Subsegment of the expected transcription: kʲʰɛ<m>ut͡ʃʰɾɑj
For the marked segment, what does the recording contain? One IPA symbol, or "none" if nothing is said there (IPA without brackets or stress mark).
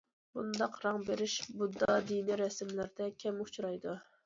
m